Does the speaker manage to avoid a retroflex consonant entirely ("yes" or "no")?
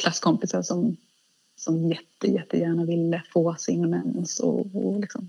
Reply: no